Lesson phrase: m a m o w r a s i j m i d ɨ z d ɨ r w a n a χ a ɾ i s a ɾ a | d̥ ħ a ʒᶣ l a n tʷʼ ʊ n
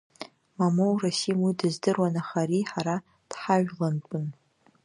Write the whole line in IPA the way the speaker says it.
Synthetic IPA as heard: m a m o w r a s i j m i d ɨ z d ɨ r w a n a χ a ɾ i ħ a ɾ a | d̥ ħ a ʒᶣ l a n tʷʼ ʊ n